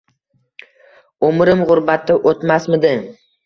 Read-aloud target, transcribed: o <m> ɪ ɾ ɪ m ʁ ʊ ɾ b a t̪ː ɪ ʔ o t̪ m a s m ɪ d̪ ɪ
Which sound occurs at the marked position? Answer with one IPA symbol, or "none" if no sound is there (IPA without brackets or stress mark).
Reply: m